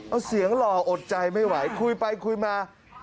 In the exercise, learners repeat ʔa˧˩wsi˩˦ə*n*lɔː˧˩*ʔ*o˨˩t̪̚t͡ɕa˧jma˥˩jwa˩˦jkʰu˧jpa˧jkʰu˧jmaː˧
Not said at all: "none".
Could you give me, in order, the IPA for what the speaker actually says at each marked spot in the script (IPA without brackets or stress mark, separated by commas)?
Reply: ŋ, ʔ